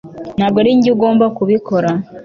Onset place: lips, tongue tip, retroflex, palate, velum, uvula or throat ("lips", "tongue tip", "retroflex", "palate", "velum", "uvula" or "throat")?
tongue tip